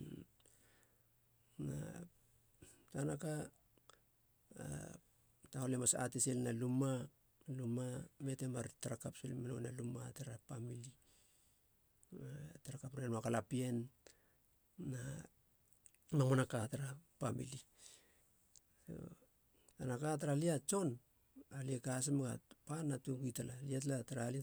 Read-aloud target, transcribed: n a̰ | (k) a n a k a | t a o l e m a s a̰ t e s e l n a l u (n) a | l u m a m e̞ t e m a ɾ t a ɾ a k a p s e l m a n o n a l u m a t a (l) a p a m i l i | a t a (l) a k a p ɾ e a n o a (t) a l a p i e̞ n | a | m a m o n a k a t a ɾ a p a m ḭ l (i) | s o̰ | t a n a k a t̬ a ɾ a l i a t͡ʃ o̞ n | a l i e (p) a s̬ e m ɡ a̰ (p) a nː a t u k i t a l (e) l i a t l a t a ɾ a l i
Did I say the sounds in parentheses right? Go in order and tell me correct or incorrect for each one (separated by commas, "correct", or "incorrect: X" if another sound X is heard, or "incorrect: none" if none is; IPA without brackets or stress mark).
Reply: incorrect: t, incorrect: m, incorrect: ɾ, incorrect: ɾ, incorrect: k, correct, incorrect: k, correct, incorrect: a